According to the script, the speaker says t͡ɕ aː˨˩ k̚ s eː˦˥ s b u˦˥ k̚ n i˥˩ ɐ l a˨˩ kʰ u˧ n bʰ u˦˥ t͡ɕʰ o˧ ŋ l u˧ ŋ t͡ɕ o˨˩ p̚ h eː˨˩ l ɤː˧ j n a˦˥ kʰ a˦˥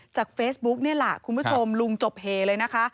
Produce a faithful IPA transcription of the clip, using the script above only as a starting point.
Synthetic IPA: t͡ɕ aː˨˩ k̚ f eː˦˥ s b u˦˥ k̚ n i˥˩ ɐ l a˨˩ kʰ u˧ n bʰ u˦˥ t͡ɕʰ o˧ m l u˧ ŋ t͡ɕ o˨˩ p̚ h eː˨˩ l ɤː˧ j n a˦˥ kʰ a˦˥